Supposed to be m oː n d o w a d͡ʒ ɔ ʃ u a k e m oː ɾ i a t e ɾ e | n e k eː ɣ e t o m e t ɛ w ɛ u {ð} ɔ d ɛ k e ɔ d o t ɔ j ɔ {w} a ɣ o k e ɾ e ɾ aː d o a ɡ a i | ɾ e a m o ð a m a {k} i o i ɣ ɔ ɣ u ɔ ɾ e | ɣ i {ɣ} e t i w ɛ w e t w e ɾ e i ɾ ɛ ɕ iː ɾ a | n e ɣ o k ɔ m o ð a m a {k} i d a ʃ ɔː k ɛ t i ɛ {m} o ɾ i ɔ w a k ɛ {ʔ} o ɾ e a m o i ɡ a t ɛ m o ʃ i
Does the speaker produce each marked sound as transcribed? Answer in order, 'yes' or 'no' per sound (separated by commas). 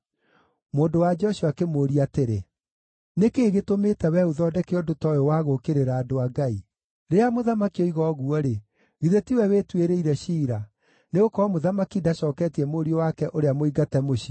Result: yes, yes, yes, no, yes, yes, yes